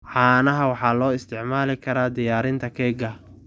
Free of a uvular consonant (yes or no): yes